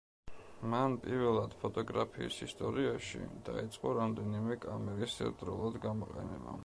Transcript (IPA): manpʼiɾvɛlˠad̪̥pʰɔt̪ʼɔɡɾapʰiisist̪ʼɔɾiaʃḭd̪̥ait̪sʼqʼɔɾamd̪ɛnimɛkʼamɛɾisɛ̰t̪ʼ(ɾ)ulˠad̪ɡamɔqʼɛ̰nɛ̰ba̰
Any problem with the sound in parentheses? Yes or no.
no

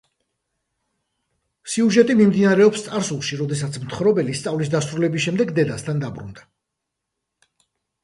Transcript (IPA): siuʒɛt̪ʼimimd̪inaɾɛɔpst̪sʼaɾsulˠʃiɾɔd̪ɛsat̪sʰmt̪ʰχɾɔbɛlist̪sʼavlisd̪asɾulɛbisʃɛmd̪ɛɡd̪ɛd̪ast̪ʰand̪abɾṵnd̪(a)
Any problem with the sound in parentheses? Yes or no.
no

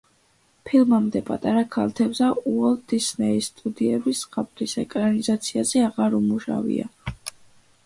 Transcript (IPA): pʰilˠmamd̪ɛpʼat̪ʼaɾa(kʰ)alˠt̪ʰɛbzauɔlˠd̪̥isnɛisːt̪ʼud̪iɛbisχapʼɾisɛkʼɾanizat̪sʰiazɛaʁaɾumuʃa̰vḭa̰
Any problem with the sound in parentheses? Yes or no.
no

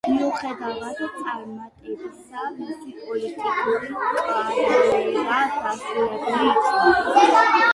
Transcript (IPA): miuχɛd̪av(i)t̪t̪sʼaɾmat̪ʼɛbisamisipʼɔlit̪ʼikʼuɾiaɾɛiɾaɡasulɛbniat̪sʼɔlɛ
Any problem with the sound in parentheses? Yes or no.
yes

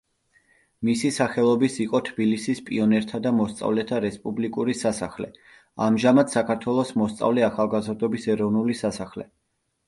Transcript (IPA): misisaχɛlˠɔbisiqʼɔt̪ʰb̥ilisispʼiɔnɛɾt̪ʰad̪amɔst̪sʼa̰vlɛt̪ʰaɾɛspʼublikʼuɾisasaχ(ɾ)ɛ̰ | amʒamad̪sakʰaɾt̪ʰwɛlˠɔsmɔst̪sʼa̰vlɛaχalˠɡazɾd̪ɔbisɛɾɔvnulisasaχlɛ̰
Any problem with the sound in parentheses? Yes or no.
yes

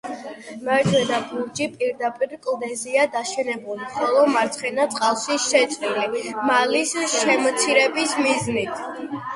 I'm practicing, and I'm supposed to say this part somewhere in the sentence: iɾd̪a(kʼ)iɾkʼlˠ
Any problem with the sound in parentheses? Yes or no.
yes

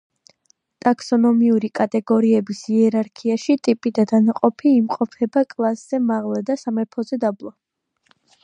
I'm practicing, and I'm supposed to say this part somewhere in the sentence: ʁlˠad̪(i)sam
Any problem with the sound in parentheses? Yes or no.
yes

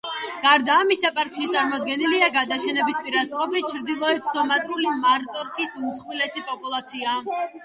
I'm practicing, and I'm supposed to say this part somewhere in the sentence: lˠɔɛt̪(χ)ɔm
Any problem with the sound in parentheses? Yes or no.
yes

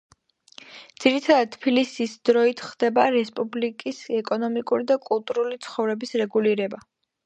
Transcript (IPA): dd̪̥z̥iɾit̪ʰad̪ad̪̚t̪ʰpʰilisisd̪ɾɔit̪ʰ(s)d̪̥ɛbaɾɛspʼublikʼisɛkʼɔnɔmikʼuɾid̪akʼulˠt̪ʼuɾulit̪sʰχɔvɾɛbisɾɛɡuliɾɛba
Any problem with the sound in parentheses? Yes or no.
yes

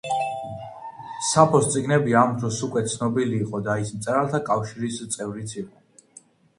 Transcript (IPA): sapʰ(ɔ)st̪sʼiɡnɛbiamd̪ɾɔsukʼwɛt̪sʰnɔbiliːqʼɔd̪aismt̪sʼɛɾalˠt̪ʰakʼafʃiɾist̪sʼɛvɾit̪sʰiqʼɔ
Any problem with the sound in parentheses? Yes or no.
no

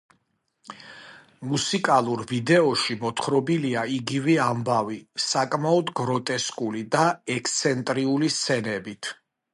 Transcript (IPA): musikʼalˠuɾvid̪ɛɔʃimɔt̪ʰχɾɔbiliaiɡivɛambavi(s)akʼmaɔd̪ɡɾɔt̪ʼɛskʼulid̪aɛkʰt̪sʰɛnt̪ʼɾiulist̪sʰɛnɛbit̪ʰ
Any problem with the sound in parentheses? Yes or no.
no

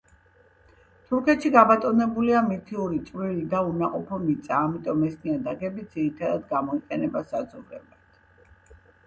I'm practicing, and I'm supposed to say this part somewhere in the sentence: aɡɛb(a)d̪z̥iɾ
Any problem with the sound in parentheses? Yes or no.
yes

